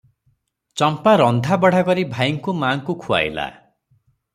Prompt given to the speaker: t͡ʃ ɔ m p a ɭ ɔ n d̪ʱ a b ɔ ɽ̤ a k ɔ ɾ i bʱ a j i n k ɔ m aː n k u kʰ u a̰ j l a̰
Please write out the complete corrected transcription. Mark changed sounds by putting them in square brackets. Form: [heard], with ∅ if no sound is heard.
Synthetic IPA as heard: t͡ʃ ɔ m p a [ɾ] ɔ n d̪ʱ a b ɔ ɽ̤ a k ɔ ɾ i bʱ a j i [ŋ] k [u] m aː [ŋ] k u kʰ u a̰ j l a̰